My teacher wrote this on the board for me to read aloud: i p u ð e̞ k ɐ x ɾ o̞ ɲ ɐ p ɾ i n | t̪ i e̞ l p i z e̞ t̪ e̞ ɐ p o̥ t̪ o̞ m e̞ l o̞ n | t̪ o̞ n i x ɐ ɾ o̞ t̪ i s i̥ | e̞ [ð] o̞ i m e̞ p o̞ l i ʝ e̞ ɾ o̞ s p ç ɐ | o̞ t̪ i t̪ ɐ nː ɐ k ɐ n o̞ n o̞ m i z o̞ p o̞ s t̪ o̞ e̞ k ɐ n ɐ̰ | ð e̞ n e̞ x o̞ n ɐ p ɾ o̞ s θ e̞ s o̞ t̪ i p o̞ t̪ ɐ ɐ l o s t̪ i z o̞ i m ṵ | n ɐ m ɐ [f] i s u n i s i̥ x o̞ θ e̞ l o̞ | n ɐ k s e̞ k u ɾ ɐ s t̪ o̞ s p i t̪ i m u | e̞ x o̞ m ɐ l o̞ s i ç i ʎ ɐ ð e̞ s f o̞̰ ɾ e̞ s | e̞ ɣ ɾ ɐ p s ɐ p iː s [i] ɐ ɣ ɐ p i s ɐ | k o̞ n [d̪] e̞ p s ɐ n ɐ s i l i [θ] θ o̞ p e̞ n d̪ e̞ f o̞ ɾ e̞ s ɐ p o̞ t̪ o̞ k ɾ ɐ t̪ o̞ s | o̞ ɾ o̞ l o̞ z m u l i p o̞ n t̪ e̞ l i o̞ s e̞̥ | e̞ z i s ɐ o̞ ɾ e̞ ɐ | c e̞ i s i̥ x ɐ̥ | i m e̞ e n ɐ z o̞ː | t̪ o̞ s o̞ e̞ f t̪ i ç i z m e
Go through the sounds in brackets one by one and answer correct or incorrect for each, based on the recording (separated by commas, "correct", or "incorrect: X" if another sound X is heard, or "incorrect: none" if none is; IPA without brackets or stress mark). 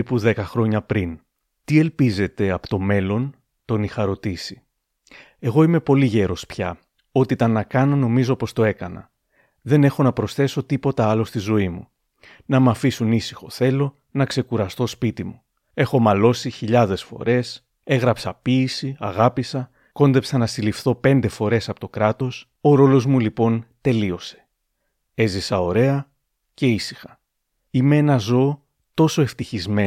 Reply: incorrect: ɣ, correct, correct, correct, incorrect: f